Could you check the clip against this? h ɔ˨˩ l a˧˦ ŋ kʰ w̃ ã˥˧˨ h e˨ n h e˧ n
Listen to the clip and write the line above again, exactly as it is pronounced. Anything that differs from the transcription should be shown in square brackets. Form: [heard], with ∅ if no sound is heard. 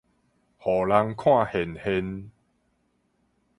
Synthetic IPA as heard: h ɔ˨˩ l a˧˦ ŋ kʰ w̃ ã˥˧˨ h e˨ n h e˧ n